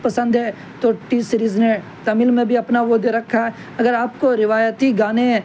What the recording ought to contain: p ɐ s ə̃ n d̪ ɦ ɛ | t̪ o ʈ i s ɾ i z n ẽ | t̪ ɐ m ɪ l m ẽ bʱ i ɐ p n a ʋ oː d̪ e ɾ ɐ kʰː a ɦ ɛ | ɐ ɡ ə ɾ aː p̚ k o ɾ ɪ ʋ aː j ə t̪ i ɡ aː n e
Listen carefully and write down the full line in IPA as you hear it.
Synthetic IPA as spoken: p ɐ s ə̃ n d̪ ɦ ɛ | t̪ o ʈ i s ɾ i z n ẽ | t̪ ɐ m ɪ l m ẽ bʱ i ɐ p n a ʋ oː d̪ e ɾ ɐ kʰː a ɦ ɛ | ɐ ɡ ə ɾ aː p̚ k o ɾ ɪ ʋ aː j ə t̪ i ɡ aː n e